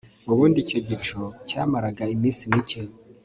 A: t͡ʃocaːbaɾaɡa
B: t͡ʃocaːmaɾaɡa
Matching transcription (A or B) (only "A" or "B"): B